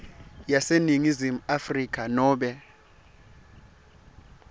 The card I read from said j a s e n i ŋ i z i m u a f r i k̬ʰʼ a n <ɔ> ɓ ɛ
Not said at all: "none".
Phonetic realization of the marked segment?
ɔː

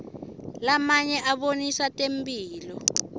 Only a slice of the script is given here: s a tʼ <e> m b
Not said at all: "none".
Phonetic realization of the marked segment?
e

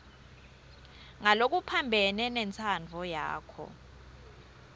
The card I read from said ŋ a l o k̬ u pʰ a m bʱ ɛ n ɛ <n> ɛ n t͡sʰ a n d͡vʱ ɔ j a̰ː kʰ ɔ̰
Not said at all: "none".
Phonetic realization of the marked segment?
n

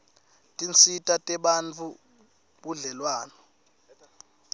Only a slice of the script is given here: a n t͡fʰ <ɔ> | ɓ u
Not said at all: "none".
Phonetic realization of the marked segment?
u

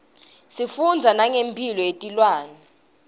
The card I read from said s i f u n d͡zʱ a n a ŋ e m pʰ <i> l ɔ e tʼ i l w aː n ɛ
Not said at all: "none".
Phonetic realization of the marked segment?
i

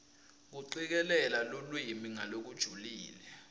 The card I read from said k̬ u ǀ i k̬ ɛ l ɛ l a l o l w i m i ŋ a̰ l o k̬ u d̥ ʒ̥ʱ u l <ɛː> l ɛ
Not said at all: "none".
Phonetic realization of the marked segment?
iː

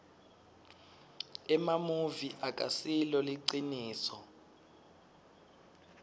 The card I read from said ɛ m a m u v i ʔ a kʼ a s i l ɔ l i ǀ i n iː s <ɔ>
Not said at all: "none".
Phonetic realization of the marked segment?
ɔ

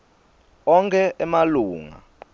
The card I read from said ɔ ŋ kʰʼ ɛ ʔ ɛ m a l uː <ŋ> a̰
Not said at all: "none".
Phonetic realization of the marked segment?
ŋ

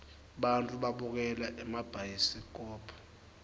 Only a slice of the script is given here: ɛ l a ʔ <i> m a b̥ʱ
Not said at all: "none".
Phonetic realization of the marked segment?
ɛ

